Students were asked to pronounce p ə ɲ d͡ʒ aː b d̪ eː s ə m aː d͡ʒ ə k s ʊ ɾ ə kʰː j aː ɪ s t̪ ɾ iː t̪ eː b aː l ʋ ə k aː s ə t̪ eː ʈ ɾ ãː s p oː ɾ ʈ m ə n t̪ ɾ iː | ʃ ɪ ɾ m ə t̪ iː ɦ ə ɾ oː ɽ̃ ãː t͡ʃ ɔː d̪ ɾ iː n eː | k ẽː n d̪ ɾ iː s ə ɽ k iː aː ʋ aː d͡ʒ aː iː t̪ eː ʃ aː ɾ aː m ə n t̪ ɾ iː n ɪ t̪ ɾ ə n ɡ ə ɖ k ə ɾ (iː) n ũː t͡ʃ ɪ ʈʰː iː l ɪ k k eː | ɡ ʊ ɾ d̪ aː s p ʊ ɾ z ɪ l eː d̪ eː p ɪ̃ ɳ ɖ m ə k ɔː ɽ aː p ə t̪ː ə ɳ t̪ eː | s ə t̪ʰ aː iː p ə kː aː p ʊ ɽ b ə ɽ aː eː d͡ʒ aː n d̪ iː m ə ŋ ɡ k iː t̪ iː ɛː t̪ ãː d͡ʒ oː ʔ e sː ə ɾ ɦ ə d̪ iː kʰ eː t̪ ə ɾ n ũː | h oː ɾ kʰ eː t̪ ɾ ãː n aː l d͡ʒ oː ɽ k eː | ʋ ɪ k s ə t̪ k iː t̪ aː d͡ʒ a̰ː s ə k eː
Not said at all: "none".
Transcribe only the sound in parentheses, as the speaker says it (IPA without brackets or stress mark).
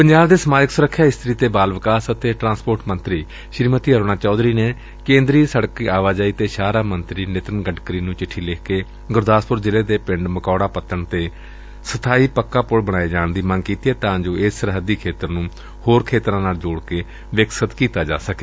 iː